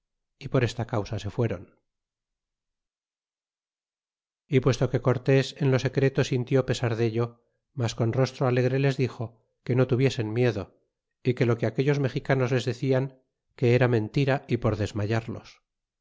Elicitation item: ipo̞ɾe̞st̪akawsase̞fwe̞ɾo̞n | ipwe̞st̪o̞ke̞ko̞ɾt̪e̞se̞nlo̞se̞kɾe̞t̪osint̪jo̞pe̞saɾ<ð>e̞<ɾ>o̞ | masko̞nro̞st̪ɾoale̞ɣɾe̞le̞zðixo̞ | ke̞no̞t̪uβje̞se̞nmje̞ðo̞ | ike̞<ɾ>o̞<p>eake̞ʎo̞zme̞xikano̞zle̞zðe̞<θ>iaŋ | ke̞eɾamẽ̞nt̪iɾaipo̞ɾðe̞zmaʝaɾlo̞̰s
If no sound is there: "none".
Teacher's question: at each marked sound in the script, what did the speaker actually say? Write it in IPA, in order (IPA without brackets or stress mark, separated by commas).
ð, ʎ, l, k, θ